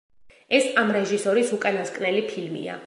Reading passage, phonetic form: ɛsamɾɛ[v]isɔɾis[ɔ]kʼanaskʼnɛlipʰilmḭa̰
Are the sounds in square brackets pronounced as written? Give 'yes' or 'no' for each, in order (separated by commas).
no, no